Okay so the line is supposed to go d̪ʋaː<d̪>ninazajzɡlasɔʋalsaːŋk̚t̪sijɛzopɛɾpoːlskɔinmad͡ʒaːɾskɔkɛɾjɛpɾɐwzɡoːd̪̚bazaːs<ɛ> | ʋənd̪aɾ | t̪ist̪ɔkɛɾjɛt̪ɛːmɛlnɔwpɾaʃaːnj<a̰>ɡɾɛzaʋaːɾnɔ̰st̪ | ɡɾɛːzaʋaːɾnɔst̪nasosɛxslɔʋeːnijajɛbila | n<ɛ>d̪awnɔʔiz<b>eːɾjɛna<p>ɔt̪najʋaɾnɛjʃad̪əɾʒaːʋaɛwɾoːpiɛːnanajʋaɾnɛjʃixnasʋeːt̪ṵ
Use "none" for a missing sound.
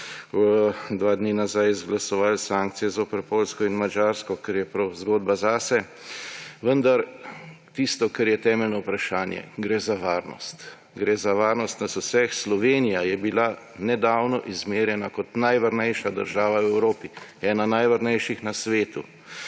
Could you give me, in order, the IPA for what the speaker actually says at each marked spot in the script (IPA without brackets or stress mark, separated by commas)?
d̪, ɛ, ɛ̰, ɛ, m, k